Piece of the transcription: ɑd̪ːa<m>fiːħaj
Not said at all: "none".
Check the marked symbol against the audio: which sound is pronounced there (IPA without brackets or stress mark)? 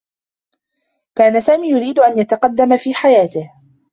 m